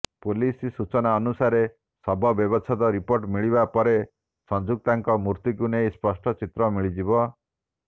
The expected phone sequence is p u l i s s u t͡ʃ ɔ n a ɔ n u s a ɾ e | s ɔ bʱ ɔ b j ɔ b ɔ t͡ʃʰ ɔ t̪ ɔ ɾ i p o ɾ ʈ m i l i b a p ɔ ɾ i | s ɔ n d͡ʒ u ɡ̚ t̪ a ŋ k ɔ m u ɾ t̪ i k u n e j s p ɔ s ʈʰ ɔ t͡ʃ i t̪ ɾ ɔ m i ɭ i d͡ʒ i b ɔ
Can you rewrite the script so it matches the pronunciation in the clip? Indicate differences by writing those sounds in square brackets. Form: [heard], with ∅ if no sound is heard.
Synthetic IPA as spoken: p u l i s s u t͡ʃ ɔ n a ɔ n u s a ɾ e | s ɔ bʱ ɔ b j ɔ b ɔ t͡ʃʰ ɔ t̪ ɔ ɾ i p o ɾ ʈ m i [ɭ] i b a p ɔ ɾ [e] | s ɔ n d͡ʒ u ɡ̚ t̪ a ŋ k ɔ m u ɾ t̪ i k u n e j s p ɔ s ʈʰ ɔ t͡ʃ i t̪ ɾ ɔ m i ɭ i d͡ʒ i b ɔ